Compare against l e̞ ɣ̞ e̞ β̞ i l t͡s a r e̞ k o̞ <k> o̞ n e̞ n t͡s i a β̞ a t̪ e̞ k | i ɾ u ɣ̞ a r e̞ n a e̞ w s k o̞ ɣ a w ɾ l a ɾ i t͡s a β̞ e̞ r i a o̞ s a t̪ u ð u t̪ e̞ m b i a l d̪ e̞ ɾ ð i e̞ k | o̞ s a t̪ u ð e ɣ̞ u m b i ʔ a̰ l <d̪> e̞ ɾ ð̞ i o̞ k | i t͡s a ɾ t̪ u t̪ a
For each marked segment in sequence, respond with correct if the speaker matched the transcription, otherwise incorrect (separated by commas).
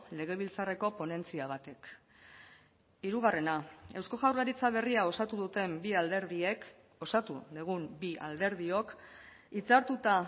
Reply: incorrect, correct